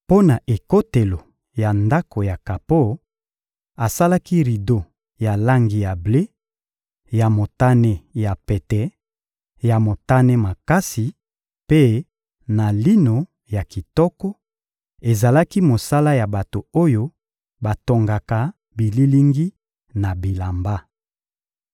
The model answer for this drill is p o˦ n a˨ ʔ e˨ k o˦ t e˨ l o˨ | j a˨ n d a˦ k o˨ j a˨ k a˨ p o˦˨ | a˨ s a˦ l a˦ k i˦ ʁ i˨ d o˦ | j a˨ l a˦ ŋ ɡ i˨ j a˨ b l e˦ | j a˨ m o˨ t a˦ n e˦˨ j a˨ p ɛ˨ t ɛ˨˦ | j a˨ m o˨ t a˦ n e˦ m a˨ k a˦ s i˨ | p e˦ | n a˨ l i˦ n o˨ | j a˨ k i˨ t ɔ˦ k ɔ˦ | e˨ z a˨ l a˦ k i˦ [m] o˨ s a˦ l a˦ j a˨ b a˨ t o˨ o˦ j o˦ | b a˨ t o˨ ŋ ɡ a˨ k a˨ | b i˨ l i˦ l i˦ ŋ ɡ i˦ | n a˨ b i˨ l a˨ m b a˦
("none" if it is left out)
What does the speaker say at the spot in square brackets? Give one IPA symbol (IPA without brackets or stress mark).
m